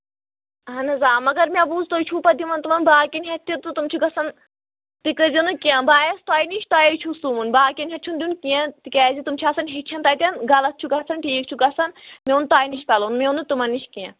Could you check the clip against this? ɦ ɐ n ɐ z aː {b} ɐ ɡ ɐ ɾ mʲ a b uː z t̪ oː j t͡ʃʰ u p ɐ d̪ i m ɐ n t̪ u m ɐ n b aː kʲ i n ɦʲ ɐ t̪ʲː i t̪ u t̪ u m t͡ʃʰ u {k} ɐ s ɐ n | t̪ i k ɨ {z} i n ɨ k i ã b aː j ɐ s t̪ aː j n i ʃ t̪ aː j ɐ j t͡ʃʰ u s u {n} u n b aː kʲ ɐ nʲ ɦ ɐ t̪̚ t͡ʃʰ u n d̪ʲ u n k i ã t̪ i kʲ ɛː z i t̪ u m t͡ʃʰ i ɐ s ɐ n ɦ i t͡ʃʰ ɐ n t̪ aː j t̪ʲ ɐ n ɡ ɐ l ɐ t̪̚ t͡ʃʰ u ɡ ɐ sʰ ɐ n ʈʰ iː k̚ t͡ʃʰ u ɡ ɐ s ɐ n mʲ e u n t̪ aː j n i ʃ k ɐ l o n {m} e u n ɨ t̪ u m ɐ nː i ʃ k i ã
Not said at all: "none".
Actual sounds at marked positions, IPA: m, ɡ, z, m, m

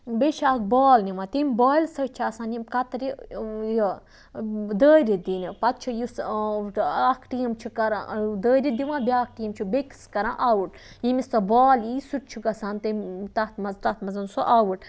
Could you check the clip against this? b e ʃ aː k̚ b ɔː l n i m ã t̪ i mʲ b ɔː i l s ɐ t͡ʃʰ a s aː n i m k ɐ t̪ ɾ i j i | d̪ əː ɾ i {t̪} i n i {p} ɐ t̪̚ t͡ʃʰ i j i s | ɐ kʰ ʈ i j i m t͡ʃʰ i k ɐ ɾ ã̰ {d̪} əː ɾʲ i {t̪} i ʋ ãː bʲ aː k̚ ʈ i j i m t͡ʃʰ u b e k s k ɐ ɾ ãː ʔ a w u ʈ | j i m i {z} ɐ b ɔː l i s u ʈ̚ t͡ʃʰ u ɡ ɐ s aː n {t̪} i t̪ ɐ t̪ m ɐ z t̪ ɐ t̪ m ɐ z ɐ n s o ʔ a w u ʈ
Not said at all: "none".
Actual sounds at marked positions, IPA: d̪, p, d̪, d̪, s, t̪

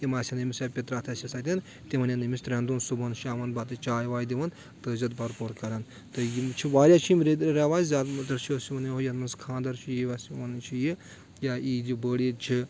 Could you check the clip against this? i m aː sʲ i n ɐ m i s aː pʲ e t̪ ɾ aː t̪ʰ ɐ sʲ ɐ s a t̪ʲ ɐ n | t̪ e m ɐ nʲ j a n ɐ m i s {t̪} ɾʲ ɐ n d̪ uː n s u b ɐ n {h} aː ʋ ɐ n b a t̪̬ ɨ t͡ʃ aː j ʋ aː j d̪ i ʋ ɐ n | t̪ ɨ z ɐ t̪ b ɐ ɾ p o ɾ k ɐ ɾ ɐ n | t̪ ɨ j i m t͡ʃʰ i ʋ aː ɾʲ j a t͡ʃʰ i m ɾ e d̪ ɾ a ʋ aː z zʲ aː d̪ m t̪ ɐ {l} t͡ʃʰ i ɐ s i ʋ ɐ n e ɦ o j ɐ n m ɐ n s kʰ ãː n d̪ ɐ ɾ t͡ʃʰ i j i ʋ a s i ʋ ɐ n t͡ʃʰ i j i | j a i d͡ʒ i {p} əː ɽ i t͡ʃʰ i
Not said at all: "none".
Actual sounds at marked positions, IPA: t̪, ʃ, ɾ, b

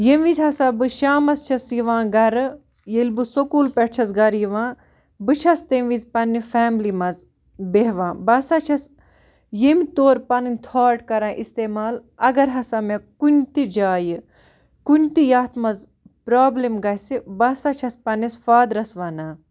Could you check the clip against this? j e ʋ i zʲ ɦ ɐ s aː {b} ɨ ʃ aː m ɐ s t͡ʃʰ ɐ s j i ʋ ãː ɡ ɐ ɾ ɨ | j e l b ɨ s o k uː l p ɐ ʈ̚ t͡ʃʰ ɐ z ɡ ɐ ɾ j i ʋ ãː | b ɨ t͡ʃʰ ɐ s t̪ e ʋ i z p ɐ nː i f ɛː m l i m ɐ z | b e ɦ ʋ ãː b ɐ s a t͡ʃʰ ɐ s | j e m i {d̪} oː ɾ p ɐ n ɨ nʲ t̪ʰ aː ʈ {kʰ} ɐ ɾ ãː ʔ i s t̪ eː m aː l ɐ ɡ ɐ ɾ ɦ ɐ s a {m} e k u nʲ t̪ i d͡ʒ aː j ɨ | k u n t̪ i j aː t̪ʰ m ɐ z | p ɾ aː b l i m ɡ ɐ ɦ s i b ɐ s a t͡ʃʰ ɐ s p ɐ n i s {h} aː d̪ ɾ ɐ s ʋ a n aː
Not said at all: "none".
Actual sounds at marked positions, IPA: b, t̪, k, m, f

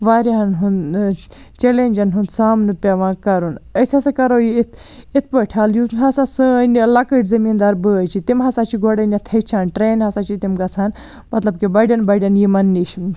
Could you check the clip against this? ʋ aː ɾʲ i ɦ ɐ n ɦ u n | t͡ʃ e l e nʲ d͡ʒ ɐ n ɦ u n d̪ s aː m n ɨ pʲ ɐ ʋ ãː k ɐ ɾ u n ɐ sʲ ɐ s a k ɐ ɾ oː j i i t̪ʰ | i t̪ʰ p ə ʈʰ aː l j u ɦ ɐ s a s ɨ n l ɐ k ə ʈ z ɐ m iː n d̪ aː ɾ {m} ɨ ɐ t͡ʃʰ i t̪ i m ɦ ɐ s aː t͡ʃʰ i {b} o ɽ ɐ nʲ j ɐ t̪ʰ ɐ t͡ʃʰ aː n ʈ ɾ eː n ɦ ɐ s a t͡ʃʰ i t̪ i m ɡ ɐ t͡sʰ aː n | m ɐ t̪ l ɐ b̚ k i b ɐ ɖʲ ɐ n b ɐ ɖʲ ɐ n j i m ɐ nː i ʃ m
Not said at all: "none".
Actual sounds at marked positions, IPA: b, ɡ

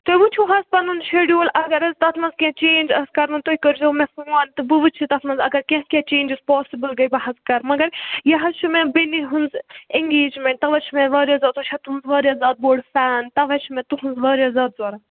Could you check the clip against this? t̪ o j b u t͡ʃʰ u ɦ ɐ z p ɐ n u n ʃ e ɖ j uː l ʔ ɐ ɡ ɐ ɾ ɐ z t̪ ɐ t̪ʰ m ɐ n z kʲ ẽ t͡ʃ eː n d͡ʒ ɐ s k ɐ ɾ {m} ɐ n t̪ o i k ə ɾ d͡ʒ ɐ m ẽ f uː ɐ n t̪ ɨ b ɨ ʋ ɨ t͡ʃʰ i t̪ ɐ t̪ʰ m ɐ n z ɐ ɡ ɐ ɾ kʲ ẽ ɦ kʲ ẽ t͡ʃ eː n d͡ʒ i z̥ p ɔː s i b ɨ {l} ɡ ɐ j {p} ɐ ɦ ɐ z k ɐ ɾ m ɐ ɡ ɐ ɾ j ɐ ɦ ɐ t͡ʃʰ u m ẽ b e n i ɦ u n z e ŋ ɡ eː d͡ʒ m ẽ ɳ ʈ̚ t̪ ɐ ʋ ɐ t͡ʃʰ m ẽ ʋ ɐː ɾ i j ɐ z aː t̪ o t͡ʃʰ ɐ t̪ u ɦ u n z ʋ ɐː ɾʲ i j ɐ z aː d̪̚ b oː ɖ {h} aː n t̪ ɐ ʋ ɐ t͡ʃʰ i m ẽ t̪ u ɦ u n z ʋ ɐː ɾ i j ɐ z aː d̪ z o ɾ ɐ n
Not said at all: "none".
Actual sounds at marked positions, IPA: m, l, b, f

